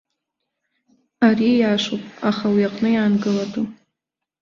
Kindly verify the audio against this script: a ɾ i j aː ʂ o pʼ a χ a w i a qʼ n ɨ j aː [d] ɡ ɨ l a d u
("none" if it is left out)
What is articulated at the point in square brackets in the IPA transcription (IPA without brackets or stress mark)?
n